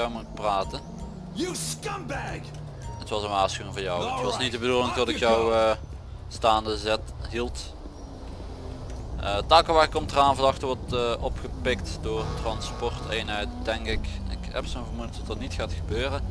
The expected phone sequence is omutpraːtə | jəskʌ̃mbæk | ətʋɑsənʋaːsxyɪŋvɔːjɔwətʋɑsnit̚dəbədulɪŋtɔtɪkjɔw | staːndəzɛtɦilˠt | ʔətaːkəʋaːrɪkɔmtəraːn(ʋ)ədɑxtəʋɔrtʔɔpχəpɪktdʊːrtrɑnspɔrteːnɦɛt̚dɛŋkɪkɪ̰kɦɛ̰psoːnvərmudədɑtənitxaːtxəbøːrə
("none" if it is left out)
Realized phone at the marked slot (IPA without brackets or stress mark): v